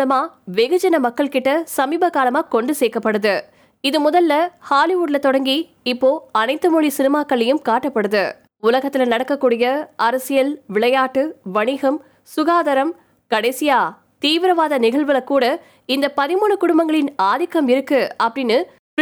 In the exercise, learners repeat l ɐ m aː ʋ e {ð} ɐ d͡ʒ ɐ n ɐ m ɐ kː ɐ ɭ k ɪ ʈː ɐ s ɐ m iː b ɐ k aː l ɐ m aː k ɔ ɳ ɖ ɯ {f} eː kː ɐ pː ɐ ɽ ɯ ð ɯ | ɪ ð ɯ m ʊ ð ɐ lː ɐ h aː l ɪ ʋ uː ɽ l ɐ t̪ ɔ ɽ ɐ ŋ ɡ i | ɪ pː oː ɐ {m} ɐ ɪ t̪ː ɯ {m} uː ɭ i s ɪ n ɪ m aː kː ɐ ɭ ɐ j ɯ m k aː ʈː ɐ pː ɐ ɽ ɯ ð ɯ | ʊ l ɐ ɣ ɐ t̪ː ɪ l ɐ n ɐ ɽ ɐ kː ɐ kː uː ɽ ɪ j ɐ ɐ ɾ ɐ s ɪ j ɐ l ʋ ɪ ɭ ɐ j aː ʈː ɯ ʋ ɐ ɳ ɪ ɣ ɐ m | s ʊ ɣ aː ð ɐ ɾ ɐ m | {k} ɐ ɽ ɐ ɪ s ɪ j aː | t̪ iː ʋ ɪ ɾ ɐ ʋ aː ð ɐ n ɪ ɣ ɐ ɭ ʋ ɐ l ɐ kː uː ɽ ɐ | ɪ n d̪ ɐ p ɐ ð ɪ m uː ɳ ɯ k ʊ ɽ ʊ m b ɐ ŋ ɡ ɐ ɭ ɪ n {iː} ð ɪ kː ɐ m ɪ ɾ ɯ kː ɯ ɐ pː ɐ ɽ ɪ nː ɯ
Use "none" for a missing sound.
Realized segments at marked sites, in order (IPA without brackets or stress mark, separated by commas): ɣ, s, n, m, k, aː